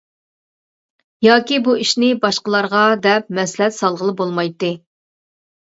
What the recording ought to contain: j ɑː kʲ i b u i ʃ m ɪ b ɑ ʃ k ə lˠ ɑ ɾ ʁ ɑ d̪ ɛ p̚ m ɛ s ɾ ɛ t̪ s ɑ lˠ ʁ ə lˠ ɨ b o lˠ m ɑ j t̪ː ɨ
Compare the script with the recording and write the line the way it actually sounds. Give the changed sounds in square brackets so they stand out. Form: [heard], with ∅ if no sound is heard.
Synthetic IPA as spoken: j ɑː kʲ i b u i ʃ [n] ɪ b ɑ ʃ [q] ə lˠ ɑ ɾ ʁ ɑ d̪ ɛ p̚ m ɛ s [l] ɛ t̪ s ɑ lˠ ʁ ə lˠ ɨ b o lˠ m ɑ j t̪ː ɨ